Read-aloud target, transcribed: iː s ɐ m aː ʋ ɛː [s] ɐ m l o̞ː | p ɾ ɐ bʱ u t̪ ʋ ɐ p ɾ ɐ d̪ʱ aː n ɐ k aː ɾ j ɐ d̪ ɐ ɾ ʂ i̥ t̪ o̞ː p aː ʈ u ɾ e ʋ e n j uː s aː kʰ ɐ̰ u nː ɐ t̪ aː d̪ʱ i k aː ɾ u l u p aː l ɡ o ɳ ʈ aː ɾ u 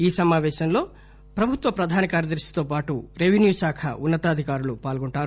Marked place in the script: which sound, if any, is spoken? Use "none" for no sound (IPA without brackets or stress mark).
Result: ʃ